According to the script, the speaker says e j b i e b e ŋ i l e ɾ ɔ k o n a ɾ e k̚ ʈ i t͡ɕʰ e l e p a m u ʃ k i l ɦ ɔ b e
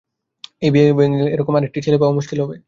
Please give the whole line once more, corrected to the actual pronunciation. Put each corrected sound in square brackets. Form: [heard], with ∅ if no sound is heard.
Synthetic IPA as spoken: e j b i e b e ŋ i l e ɾ ɔ k o [m] a ɾ e k̚ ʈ i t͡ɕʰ e l e p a m u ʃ k i l ɦ ɔ b e